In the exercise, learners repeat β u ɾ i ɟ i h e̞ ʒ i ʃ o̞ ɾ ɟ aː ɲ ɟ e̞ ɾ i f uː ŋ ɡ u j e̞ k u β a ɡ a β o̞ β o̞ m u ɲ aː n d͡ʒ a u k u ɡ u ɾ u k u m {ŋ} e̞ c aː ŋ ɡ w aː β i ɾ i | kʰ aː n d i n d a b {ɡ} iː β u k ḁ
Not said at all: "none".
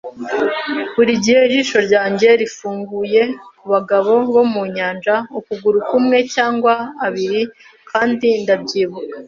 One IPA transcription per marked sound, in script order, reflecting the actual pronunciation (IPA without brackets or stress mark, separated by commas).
ŋ, ɟ